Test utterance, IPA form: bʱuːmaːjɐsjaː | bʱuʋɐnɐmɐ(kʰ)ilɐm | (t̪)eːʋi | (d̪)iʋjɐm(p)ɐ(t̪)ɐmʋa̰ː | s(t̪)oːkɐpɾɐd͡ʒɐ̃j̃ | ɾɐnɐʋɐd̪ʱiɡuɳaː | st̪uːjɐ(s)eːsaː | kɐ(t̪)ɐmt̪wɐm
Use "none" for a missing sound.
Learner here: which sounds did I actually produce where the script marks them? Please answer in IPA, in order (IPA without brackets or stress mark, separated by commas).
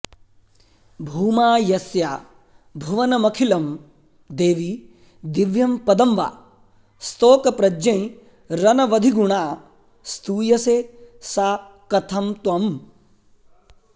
kʰ, d̪, d̪, p, d̪, t̪, s, t̪ʰ